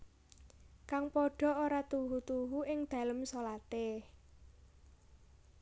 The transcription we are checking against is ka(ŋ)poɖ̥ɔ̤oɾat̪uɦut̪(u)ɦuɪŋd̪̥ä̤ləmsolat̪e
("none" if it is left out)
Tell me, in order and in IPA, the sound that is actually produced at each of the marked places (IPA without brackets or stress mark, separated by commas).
ŋ, u